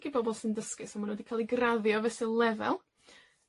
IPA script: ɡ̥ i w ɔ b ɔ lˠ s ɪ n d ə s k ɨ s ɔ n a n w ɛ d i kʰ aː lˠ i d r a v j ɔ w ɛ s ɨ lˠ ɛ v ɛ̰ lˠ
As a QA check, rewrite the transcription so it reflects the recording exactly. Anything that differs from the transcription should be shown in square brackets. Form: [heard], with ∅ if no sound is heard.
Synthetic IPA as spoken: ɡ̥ i [b] ɔ b ɔ lˠ s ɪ n d ə s k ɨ s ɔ [m] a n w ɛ d i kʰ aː lˠ i [ɡ] r a [ð] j ɔ [v] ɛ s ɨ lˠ ɛ v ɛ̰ lˠ